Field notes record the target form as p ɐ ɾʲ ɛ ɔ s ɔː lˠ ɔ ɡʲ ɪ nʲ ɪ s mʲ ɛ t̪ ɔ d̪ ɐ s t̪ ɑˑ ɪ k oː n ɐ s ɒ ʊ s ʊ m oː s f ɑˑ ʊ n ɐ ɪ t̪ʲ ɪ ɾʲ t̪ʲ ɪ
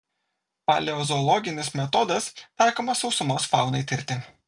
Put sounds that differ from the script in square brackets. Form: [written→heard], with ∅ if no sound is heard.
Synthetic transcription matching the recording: p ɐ [ɾʲ→lʲ] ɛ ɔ [s→z] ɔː lˠ ɔ ɡʲ ɪ nʲ ɪ s mʲ ɛ t̪ ɔ d̪ ɐ s t̪ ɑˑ ɪ k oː [n→m] ɐ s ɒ ʊ s ʊ m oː s f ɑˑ ʊ n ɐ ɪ t̪ʲ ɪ ɾʲ t̪ʲ ɪ